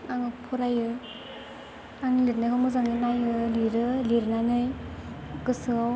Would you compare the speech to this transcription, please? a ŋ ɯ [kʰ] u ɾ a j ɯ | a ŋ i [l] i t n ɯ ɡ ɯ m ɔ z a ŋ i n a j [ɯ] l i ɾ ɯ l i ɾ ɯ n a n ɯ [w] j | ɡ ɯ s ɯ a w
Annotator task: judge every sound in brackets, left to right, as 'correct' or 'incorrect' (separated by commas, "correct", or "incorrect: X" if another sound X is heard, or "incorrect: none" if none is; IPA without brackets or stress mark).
incorrect: pʰ, correct, correct, incorrect: none